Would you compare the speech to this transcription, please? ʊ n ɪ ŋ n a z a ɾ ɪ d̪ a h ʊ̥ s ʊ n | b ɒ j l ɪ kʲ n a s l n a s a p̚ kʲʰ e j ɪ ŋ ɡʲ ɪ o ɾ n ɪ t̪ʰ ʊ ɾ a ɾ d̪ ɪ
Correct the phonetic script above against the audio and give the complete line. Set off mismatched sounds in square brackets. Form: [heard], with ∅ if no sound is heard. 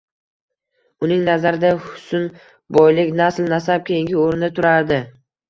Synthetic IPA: ʊ n ɪ ŋ n a z a ɾ ɪ d̪ a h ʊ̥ s ʊ n | b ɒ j l ɪ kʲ n a s l n a s a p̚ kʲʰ e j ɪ ŋ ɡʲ ɪ o ɾ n ɪ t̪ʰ ʊ ɾ a ɾ d̪ ɪ